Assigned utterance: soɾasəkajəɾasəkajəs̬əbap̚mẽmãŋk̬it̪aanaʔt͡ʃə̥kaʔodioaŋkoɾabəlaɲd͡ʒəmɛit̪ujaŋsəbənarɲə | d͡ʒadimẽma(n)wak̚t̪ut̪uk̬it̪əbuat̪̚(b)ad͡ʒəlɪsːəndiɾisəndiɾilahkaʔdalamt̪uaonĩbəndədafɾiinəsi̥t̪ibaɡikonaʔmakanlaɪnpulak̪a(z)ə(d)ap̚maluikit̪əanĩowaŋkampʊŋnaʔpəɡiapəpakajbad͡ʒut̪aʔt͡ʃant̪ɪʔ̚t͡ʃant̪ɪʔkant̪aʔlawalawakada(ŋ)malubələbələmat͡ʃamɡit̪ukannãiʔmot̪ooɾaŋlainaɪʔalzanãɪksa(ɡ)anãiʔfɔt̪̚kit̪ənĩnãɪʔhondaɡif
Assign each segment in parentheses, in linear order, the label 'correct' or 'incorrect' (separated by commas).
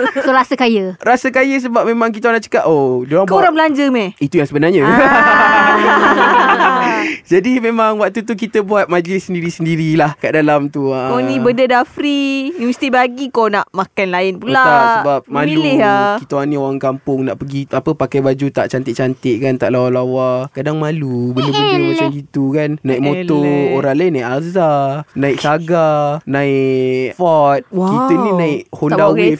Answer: incorrect, incorrect, incorrect, incorrect, correct, correct